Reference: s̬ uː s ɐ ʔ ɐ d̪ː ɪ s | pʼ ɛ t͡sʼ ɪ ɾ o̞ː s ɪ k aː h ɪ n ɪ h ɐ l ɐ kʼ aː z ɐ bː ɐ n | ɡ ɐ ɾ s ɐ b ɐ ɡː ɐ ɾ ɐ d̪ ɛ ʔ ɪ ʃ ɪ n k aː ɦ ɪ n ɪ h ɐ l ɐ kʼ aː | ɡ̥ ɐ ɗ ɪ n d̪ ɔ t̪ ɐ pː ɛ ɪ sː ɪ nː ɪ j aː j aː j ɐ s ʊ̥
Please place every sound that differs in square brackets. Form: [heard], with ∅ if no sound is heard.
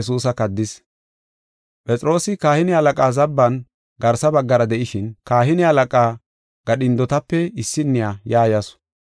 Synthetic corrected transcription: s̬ uː s ɐ [k] ɐ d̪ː ɪ s | pʼ ɛ t͡sʼ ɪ ɾ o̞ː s ɪ k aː h ɪ n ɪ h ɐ l ɐ kʼ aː z ɐ bː ɐ n | ɡ ɐ ɾ s ɐ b ɐ ɡː ɐ ɾ ɐ d̪ ɛ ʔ ɪ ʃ ɪ n k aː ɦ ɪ n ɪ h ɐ l ɐ kʼ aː | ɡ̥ ɐ ɗ ɪ n d̪ ɔ t̪ ɐ pː ɛ ɪ sː ɪ nː ɪ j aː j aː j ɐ s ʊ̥